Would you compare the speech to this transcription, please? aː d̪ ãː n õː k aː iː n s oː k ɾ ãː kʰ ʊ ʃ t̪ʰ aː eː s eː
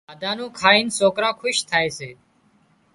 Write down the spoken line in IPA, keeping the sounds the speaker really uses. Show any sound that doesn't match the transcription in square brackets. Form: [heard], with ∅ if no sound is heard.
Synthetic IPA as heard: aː d̪ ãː n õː [kʰ] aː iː n s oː k ɾ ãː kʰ ʊ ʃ t̪ʰ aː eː s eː